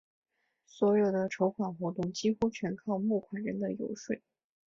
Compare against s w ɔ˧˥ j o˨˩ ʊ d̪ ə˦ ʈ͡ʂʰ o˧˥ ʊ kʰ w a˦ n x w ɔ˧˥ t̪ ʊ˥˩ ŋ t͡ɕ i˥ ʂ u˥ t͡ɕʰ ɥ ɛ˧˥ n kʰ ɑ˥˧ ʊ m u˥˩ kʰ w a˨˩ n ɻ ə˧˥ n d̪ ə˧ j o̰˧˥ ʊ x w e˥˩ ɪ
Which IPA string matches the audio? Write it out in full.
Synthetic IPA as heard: s w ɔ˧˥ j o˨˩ ʊ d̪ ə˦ ʈ͡ʂʰ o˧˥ ʊ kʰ w a˨˩ n x w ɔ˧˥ t̪ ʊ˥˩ ŋ t͡ɕ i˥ x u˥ t͡ɕʰ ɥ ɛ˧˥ n kʰ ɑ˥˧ ʊ m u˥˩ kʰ w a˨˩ n ɻ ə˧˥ n d̪ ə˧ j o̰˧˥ ʊ ʂ w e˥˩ ɪ